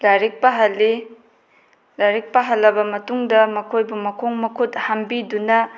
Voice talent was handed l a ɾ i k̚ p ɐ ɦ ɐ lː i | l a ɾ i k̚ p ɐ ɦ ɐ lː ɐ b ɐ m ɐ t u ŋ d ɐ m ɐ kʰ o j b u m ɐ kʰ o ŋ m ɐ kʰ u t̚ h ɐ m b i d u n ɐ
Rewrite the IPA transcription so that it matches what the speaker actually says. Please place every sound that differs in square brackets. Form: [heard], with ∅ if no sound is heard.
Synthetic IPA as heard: l a ɾ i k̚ p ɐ ɦ ɐ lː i | l a ɾ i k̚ p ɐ ɦ ɐ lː ɐ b ɐ m ɐ t u ŋ d ɐ m ɐ kʰ o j b u m ɐ kʰ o ŋ m ɐ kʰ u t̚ h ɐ m b i d u n ɐ

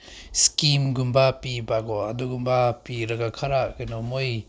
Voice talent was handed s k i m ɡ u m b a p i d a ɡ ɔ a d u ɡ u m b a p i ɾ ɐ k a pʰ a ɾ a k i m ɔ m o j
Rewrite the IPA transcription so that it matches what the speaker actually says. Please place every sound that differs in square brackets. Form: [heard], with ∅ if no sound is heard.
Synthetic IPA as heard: s k i m ɡ u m b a p i [b] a ɡ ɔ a d u ɡ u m b a p i ɾ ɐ [ɡ] a [kʰ] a ɾ a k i [n] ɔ m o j

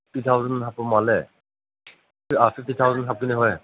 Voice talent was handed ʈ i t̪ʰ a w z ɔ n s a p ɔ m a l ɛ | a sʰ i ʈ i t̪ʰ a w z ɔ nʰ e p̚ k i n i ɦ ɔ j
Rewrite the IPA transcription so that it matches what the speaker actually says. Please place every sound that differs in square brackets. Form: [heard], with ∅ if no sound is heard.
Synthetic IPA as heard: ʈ i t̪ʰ a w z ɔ n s a p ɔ m a l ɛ | a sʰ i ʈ i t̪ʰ a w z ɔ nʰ [a] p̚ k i n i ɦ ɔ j

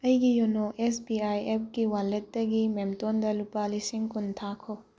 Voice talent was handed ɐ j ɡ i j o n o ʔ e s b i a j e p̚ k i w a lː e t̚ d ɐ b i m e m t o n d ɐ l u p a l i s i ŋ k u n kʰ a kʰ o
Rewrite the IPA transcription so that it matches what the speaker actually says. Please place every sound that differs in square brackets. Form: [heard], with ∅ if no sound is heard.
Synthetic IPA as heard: ɐ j ɡ i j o n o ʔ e s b i a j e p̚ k i w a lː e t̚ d ɐ [ɡ] i m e m t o n d ɐ l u p a l i s i ŋ k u n [tʰ] a kʰ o

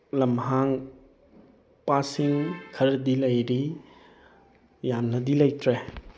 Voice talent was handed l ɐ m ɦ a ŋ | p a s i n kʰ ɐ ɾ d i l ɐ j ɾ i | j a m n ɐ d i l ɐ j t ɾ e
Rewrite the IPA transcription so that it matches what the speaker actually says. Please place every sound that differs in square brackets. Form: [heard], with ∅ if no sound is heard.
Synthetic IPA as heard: l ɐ m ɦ a ŋ | p a s i [ŋ] kʰ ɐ ɾ d i l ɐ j ɾ i | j a m n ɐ d i l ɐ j t ɾ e

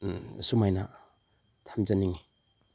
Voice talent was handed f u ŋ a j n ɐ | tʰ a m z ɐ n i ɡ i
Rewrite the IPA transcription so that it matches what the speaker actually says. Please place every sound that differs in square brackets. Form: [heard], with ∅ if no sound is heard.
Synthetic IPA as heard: [s] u [m] a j n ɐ | tʰ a m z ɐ n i [ŋ] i

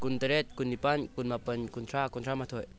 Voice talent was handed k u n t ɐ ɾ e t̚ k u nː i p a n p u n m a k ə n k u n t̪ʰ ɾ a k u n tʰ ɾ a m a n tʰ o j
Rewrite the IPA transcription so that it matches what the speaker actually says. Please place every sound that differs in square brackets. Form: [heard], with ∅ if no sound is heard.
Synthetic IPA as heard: k u n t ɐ ɾ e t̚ k u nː i p a n [k] u n m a [p] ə n k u n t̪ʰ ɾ a k u n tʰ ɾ a m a [∅] tʰ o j

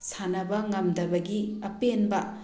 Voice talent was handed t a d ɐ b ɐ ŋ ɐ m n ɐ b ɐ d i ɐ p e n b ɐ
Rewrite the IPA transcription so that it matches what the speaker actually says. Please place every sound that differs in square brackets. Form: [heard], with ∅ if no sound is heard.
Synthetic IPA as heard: [s] a [n] ɐ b ɐ ŋ ɐ m [d] ɐ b ɐ [ɡ] i ɐ p e n b ɐ

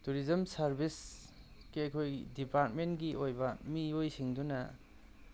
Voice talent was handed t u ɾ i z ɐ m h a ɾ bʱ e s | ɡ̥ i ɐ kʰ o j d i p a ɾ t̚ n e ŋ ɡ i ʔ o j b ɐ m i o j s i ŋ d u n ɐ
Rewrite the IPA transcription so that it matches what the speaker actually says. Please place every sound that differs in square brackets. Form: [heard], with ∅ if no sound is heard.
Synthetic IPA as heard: t u ɾ i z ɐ m [s] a ɾ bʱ [i] s | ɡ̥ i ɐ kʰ o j d i p a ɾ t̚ [m] e [n] ɡ i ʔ o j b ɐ m i o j s i ŋ d u n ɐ

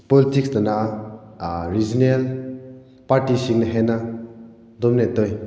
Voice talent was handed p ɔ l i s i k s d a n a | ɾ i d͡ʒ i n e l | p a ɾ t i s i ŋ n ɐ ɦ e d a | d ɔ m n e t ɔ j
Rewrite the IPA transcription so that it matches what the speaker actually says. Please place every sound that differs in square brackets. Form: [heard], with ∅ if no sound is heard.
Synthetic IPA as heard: p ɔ l i [t] i k s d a n a | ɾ i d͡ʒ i n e l | p a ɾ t i s i ŋ n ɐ ɦ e [n] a | d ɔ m n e t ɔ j

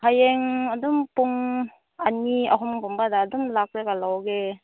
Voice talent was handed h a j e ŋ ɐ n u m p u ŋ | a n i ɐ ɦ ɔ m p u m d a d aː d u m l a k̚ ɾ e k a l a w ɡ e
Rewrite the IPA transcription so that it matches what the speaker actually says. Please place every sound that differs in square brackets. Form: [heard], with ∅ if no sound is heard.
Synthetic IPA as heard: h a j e ŋ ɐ [d] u m p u ŋ | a n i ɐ ɦ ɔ m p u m [b] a d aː d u m l a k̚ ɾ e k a l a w ɡ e

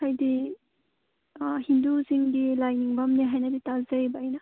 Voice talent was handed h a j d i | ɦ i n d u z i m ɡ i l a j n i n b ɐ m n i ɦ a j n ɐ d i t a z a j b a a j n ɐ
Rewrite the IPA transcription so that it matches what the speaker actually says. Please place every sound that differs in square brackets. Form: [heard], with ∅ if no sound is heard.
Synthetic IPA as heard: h a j d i | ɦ i n d u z i [ŋ] ɡ i l a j n i [ŋ] b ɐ m n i ɦ a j n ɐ d i t a z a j b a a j n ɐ

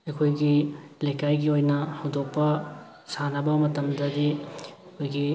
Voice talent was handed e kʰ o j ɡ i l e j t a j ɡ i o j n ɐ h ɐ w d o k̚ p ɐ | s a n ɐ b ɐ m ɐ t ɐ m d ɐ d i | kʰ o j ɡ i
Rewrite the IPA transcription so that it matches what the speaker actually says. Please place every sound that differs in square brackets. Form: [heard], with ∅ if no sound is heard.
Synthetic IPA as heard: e kʰ o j ɡ i l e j [k] a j ɡ i o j n ɐ h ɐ w d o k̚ p ɐ | s a n ɐ b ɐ m ɐ t ɐ m d ɐ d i | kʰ o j ɡ i

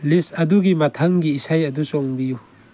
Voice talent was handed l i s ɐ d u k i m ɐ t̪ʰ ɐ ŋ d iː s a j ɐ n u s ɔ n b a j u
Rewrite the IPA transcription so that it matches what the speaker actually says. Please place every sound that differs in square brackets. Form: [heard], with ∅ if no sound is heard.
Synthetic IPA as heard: l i s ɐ d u [ɡ] i m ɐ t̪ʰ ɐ ŋ [ɡ] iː s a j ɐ [d] u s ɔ [ŋ] b [i] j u

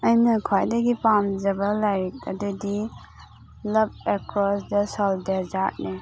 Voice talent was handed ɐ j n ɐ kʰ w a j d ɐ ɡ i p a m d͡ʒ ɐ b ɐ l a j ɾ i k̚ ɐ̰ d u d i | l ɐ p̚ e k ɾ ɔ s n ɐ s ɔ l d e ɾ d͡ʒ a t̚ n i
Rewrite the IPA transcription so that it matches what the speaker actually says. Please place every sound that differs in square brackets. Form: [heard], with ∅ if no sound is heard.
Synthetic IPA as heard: ɐ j n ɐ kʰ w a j d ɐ ɡ i p a m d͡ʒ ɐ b ɐ l a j ɾ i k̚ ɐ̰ d u d i | l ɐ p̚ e k ɾ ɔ s [d] ɐ s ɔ l d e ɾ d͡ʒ a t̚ n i

